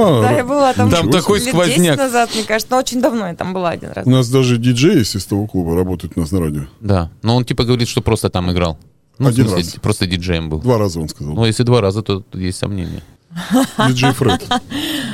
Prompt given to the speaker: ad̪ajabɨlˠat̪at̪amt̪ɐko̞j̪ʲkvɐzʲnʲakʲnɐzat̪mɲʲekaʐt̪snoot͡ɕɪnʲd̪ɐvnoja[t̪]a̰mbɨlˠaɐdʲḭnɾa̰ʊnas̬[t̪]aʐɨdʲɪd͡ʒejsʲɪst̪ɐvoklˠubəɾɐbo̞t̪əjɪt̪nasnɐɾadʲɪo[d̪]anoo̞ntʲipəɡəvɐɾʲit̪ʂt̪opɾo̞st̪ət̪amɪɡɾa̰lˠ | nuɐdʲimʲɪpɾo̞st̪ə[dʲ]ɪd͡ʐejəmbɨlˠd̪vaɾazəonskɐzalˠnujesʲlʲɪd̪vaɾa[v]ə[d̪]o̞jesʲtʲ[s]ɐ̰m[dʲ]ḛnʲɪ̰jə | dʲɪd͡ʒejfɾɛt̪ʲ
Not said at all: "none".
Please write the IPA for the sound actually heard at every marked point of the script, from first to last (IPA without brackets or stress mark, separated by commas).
t̪, d̪, d̪, dʲ, z, t̪, s, nʲ